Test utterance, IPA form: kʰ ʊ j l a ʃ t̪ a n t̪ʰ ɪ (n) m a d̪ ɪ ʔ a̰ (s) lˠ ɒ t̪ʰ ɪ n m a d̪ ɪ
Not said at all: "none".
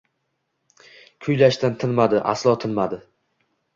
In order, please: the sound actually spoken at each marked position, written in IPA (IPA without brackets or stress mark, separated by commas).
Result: n, s